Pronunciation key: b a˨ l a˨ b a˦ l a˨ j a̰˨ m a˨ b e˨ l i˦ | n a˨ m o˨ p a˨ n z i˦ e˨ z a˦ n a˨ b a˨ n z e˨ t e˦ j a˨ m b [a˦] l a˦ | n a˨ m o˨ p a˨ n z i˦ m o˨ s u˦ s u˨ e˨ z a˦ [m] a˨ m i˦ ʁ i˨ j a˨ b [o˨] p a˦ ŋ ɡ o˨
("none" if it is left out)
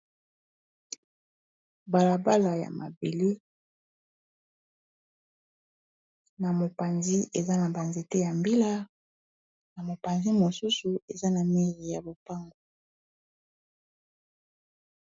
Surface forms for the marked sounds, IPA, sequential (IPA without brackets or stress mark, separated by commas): i˦, n, o˨